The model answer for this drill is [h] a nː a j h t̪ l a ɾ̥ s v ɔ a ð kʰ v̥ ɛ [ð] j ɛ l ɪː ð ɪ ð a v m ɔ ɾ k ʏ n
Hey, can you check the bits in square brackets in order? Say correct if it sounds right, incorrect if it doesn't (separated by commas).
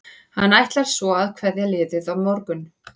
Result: correct, correct